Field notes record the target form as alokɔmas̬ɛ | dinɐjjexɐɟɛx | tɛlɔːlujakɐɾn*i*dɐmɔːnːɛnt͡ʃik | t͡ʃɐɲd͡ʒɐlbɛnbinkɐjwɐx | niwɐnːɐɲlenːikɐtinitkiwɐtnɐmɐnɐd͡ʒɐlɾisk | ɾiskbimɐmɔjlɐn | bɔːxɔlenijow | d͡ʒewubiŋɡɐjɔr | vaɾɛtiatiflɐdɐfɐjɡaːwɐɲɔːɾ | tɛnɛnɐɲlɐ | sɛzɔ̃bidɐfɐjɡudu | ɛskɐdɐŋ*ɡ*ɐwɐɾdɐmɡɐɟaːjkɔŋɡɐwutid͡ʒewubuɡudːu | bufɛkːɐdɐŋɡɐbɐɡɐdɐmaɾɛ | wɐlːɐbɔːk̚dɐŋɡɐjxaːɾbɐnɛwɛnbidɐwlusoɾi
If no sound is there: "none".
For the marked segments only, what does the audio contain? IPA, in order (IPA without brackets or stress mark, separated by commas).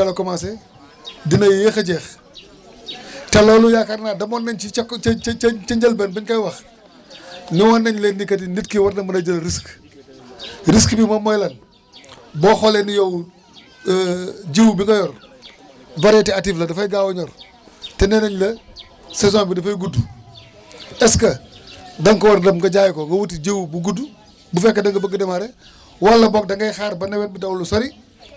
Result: a, k